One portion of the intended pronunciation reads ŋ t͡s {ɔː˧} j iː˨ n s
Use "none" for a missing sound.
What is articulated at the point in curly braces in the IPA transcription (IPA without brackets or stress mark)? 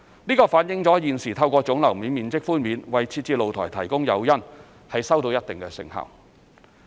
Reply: ɔː˨˥